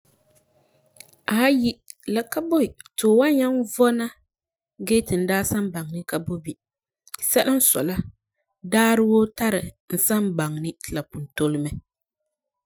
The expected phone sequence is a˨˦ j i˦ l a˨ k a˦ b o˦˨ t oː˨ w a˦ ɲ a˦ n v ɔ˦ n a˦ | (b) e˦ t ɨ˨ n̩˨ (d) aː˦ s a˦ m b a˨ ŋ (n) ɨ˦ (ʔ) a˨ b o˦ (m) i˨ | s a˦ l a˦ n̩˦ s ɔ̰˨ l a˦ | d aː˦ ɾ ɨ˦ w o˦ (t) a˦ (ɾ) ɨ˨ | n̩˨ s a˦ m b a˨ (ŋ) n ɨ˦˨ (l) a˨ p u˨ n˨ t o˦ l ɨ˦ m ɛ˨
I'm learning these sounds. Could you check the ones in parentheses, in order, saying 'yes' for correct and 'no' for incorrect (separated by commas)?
no, yes, yes, no, no, yes, yes, yes, yes